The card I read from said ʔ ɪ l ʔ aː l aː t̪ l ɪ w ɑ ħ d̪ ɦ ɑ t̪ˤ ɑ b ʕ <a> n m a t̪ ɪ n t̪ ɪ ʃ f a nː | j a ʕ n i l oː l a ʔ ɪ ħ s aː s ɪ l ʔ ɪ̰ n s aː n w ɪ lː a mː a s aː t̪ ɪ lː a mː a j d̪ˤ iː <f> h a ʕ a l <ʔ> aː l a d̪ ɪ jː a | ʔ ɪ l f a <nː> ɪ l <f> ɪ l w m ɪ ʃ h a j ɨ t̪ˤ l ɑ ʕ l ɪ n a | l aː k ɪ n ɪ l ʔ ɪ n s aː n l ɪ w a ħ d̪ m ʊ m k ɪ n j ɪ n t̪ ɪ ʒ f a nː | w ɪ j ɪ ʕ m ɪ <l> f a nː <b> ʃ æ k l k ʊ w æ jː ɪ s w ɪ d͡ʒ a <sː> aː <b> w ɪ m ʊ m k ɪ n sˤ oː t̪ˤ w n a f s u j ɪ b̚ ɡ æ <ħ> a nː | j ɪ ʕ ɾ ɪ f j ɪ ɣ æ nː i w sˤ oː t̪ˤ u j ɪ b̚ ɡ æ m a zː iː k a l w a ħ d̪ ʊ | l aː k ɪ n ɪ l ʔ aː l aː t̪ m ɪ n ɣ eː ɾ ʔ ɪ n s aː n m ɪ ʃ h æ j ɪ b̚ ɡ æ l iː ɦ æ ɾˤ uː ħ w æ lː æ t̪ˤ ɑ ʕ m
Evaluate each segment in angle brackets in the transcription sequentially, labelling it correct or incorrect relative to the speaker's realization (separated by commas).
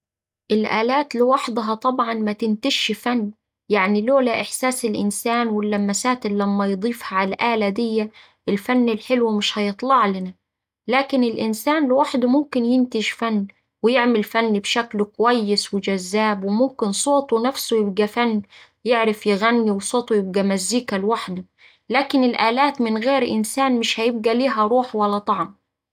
incorrect, correct, correct, correct, incorrect, correct, correct, incorrect, correct, incorrect